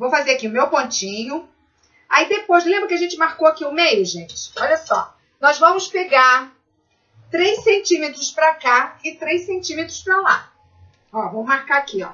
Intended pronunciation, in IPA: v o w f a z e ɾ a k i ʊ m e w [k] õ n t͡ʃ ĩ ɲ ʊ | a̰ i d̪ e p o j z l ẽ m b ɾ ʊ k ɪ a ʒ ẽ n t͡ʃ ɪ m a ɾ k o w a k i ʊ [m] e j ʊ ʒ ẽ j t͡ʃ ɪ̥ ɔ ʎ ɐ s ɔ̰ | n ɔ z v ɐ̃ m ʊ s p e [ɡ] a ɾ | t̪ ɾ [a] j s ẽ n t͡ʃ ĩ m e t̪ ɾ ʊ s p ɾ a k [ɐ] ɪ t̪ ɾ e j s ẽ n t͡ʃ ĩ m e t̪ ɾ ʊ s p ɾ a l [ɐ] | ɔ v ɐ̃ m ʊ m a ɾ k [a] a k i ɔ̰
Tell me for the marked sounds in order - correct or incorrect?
incorrect, correct, correct, incorrect, incorrect, incorrect, correct

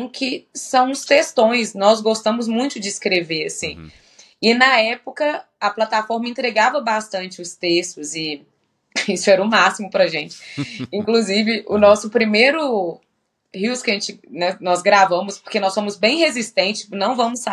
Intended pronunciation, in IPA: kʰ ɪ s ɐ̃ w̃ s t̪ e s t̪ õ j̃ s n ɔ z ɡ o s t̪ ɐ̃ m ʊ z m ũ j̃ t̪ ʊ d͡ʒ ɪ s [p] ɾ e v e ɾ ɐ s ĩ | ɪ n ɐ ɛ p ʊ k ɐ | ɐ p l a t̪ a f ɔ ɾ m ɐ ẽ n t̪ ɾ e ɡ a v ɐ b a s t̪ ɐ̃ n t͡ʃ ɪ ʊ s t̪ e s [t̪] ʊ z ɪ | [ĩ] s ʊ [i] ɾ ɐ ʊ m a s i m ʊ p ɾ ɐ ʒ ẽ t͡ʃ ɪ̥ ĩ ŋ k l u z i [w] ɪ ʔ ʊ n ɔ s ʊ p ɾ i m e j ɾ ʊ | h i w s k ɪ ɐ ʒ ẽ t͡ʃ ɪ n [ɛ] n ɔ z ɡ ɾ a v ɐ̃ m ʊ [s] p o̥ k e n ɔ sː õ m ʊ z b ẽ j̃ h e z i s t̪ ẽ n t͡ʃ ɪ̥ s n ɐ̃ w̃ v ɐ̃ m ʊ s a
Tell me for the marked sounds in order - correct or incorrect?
incorrect, correct, incorrect, incorrect, incorrect, correct, correct

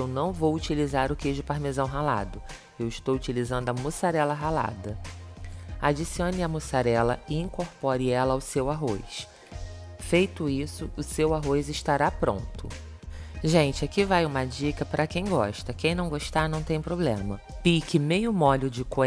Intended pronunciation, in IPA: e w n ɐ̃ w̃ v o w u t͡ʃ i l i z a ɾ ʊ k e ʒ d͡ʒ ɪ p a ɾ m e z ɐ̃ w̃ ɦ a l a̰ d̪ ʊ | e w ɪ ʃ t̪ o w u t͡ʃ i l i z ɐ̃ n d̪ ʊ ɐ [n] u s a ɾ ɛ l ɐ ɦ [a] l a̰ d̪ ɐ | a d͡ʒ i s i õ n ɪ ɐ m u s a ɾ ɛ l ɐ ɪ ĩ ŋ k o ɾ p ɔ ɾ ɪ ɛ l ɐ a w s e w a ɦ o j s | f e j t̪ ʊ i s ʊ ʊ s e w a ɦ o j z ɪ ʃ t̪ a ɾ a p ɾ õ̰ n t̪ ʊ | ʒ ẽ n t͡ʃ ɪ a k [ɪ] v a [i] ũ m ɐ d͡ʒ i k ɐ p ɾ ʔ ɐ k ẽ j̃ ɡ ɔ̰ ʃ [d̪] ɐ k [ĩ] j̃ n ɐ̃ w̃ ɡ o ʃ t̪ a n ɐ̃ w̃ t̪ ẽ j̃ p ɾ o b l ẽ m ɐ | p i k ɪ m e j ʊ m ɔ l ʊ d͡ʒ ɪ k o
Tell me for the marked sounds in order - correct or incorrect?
incorrect, correct, incorrect, incorrect, incorrect, incorrect

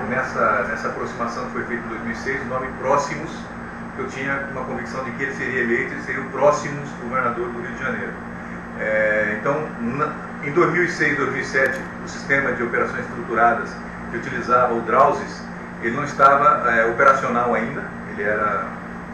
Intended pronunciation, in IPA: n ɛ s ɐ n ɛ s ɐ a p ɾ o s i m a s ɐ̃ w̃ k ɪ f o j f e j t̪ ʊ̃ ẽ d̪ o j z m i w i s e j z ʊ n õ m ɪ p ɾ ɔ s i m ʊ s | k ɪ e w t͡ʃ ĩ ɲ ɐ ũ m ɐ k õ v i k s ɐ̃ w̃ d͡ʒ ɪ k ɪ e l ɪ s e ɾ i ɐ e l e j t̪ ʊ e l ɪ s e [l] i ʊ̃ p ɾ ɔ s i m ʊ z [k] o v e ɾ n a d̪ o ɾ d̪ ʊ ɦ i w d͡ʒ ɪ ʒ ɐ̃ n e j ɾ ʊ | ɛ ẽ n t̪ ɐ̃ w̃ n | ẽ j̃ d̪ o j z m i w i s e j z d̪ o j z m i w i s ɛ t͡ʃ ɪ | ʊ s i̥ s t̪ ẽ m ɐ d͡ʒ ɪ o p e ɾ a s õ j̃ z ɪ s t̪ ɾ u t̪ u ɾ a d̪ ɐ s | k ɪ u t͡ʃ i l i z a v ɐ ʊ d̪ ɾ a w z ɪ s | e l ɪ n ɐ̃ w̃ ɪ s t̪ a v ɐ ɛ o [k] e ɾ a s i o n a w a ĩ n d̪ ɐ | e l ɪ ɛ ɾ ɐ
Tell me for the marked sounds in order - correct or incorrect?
incorrect, incorrect, incorrect

